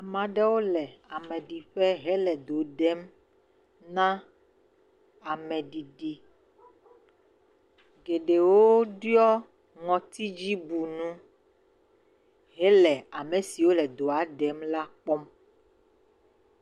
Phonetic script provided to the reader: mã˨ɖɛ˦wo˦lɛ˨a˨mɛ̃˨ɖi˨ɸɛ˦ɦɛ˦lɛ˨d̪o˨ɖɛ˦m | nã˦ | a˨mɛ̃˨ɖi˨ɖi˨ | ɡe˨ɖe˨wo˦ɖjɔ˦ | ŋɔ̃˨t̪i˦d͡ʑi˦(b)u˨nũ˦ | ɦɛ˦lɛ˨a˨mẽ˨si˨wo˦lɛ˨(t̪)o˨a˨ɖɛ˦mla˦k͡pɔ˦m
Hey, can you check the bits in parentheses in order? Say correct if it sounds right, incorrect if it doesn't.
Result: correct, incorrect: d̪

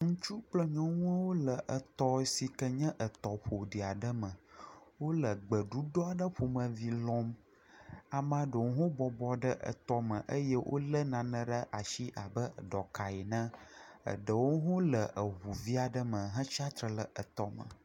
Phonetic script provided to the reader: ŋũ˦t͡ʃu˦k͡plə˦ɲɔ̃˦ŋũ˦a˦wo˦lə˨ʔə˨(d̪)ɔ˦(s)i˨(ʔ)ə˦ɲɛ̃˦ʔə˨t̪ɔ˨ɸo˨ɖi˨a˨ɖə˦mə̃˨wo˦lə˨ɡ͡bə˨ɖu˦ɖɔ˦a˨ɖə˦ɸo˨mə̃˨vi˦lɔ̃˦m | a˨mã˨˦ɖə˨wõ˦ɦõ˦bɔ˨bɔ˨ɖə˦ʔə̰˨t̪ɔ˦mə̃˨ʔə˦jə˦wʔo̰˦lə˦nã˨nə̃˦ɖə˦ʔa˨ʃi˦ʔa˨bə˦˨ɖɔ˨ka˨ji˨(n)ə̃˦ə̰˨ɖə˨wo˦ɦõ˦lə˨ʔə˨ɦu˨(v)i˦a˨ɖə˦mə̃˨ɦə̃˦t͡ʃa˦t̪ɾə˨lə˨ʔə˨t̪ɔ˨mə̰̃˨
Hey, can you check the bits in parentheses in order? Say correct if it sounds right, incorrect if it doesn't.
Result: incorrect: t̪, correct, incorrect: k, correct, correct

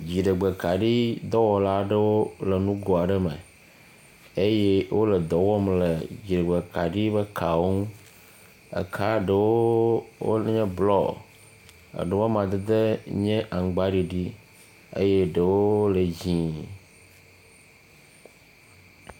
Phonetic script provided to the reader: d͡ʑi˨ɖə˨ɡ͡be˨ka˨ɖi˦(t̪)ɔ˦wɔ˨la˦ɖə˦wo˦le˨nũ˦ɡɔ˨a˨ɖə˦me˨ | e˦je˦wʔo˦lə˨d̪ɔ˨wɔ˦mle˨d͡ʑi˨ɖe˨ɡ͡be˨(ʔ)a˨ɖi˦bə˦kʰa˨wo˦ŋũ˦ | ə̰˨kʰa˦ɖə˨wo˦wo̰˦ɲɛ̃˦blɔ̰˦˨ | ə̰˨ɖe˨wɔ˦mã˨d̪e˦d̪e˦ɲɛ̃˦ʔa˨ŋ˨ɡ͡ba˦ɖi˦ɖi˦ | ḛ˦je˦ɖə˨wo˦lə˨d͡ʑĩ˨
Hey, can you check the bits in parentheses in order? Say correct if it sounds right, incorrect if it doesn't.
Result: incorrect: d̪, incorrect: k

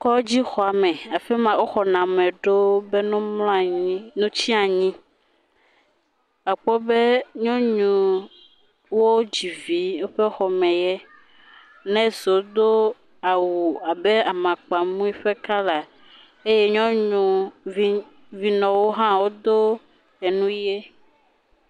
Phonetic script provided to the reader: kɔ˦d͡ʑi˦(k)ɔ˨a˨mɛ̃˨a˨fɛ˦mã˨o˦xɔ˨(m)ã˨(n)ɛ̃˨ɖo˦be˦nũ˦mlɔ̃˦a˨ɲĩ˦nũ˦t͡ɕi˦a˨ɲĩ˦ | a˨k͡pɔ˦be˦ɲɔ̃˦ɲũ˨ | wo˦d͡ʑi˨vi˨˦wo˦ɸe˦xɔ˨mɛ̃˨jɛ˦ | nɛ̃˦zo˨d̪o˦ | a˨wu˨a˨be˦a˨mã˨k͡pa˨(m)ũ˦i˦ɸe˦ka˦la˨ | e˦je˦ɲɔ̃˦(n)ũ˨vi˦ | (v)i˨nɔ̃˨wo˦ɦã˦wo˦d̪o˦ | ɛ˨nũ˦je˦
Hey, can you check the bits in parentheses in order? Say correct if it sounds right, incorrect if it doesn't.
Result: incorrect: x, incorrect: n, incorrect: m, correct, incorrect: ɲ, correct

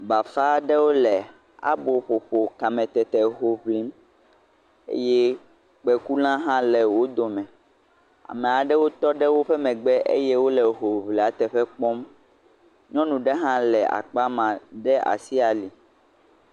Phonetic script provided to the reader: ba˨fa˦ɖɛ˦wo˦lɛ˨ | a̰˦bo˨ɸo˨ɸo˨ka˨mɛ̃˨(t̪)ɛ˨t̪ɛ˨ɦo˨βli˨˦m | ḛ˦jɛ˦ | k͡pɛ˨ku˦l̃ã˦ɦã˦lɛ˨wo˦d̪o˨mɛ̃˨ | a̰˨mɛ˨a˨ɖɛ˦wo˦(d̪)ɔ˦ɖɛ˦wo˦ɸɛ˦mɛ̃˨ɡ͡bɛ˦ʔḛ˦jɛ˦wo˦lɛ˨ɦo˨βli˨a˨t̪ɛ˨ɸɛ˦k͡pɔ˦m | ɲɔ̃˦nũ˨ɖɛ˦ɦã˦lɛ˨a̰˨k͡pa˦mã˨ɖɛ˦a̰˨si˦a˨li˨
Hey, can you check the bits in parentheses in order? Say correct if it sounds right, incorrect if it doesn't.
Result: correct, incorrect: t̪

